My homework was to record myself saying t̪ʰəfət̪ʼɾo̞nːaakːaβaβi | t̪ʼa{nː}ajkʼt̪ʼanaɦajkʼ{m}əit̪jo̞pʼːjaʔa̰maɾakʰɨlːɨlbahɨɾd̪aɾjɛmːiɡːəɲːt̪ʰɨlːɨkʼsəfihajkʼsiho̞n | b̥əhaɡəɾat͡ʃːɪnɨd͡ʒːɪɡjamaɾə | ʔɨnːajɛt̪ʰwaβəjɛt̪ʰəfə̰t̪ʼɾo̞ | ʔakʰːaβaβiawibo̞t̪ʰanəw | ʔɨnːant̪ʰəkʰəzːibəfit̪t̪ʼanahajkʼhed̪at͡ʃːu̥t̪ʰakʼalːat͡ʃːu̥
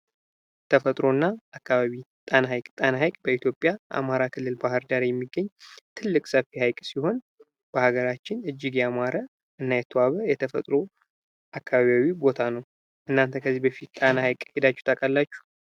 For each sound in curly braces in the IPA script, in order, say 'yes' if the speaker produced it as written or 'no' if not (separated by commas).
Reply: no, no